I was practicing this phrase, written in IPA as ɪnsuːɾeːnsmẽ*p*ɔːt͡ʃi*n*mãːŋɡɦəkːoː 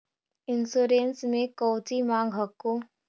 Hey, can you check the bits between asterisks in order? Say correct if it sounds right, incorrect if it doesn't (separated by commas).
incorrect, incorrect